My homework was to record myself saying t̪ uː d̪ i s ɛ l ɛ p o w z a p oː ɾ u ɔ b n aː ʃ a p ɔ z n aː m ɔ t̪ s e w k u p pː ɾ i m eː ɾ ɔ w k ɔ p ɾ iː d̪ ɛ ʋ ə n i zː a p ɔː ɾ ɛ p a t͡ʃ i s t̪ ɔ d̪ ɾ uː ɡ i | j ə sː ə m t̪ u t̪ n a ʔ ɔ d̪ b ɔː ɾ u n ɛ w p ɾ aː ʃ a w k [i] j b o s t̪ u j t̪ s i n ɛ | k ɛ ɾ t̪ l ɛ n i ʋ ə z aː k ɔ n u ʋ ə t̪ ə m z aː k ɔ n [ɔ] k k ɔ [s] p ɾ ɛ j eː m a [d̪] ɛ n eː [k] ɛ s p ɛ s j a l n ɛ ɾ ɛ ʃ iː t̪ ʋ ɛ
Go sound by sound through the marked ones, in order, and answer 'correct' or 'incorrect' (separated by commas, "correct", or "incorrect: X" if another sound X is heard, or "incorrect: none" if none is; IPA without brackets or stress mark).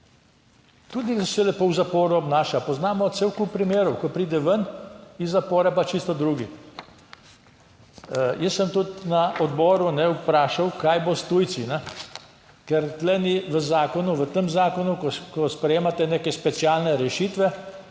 incorrect: a, incorrect: u, correct, incorrect: t̪, correct